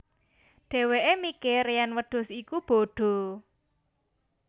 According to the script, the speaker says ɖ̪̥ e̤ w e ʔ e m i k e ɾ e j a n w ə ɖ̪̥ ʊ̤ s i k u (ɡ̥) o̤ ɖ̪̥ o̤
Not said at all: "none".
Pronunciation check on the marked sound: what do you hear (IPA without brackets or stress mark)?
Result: b̥